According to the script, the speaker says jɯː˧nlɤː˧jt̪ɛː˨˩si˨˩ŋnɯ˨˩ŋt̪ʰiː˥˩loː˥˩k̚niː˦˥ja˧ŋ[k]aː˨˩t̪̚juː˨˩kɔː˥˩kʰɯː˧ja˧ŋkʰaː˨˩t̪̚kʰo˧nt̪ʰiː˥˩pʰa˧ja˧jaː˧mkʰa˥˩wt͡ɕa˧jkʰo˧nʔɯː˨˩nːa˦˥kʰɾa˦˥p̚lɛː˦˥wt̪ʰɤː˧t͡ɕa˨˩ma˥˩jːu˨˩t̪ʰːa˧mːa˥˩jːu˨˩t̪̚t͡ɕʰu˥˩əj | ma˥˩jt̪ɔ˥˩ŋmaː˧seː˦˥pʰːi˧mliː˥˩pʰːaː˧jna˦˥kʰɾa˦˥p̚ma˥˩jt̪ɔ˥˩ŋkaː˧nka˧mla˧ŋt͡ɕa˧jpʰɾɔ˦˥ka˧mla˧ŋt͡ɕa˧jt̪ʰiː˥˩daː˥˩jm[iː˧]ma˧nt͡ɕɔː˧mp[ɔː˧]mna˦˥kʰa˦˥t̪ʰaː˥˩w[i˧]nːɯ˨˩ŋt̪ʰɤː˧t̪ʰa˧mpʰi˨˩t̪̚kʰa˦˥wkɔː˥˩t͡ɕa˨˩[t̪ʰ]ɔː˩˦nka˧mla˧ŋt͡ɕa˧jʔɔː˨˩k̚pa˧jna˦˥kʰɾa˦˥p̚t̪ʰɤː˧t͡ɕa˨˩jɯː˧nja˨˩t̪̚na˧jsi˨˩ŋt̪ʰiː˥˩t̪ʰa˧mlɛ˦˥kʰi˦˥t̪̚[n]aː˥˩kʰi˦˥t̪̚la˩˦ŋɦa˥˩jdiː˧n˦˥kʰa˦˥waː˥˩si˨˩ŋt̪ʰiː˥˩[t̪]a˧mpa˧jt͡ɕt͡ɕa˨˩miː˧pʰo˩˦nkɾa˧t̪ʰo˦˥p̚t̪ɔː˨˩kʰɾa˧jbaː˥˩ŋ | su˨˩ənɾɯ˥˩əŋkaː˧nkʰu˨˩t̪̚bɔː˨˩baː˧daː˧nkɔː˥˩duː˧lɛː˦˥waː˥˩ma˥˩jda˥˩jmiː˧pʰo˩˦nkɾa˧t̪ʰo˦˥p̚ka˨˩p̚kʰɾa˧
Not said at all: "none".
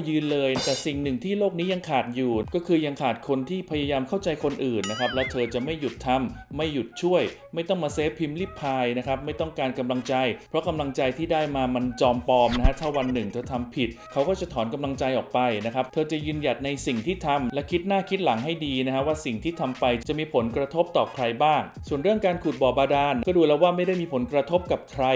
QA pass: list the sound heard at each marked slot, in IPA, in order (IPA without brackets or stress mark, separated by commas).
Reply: kʰ, aː˧, ɔː˧, a˧, t̪ʰ, n, t̪ʰ